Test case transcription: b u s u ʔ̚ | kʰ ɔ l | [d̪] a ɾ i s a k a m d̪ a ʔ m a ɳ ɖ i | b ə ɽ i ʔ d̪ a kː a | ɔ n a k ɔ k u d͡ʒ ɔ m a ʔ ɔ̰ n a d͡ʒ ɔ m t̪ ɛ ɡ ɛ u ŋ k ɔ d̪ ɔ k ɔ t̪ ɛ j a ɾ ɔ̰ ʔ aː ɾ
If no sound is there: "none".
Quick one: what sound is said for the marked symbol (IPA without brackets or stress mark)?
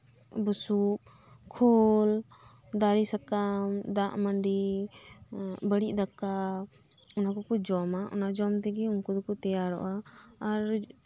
d̪